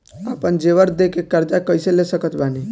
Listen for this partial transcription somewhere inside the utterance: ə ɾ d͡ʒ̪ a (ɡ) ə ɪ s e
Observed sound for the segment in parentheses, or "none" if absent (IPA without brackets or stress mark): k